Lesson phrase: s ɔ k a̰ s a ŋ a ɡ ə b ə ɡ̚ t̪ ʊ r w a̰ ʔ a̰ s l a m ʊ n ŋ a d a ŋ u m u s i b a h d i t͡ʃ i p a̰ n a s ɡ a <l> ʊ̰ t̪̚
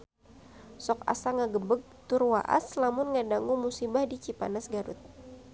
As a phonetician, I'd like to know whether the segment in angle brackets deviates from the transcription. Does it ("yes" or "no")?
yes